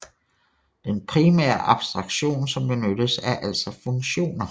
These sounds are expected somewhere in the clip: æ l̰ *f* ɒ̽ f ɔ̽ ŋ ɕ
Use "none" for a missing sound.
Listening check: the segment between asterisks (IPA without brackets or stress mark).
s